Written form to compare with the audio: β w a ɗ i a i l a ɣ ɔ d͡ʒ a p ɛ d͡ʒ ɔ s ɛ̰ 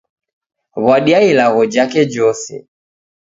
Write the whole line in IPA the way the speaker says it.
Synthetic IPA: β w a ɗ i a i l a ɣ ɔ d͡ʒ a k ɛ d͡ʒ ɔ s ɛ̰